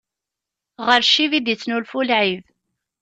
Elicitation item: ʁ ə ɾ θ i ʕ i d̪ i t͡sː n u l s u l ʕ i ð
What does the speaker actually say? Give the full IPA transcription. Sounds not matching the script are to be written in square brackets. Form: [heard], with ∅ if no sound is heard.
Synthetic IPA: ʁ ə ɾ [ʃ] i [v] i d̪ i t͡sː n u l [f] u l ʕ i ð